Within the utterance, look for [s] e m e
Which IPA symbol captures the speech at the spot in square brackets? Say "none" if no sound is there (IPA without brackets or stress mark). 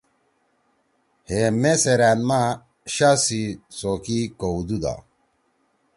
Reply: h